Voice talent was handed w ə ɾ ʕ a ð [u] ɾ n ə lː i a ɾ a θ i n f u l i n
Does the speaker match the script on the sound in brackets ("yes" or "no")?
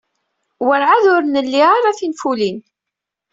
no